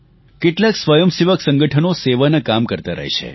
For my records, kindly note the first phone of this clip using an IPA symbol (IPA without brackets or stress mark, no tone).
k